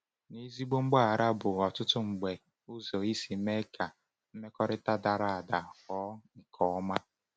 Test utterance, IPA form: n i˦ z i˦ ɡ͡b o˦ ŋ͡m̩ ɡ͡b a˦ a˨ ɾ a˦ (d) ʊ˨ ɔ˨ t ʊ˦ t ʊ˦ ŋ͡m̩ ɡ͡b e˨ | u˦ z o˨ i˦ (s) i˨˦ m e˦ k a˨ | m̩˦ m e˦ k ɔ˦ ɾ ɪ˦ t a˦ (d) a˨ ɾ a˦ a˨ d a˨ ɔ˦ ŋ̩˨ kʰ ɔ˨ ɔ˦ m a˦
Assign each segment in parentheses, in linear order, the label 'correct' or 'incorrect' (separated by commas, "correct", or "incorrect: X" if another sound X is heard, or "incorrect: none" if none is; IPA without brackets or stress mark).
incorrect: b, correct, correct